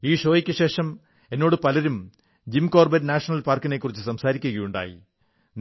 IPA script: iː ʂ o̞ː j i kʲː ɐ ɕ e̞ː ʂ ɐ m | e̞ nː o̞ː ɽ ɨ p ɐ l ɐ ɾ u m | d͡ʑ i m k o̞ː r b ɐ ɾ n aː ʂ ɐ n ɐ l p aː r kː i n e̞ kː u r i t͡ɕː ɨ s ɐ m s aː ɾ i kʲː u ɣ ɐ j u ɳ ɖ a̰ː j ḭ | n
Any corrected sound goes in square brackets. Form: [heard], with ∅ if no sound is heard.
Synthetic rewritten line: iː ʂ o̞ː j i kʲː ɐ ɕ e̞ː ʂ ɐ m | e̞ nː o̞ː ɽ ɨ p ɐ l ɐ ɾ u m | d͡ʑ i m k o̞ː r b ɐ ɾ n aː ʂ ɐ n ɐ l p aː r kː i n e̞ kː u r i t͡ɕː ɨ s ɐ m s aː ɾ i kʲː u ɣ ɐ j u ɳ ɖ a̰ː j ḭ | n